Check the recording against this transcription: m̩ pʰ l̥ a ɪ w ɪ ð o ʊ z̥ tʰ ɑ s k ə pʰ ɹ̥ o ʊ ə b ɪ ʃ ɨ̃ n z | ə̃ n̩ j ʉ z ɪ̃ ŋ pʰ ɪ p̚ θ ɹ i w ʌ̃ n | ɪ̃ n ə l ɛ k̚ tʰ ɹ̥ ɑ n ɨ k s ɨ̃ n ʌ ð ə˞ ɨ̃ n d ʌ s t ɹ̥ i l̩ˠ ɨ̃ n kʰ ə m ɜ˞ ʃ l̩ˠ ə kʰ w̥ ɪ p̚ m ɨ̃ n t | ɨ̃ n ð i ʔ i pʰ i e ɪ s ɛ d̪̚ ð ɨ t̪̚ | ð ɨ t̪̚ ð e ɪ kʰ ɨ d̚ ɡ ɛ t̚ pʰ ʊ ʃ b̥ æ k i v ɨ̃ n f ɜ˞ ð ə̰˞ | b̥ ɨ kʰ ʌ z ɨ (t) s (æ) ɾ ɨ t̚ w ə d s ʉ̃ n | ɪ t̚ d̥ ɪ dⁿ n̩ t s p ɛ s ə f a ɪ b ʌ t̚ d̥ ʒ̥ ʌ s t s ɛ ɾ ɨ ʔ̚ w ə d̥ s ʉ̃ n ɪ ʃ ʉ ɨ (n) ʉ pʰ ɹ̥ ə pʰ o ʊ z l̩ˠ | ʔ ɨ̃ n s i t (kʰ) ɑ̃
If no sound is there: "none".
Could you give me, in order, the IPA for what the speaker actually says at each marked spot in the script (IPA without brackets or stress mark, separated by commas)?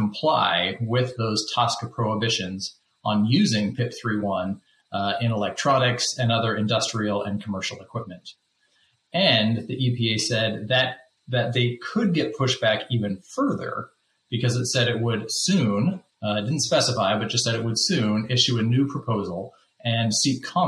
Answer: t, ɛ, n, kʰ